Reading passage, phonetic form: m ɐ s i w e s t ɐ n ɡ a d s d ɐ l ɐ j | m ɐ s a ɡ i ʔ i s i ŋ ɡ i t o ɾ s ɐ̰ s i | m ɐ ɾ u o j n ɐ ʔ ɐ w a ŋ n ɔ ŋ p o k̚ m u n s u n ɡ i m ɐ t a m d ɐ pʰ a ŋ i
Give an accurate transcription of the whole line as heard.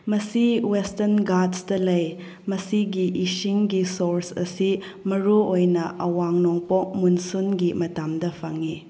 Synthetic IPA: m ɐ s i w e s t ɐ n ɡ a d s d ɐ l ɐ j | m ɐ s i ɡ i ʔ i s i ŋ ɡ i s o ɾ s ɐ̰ s i | m ɐ ɾ u o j n ɐ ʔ ɐ w a ŋ n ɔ ŋ p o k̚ m u n s u n ɡ i m ɐ t a m d ɐ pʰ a ŋ i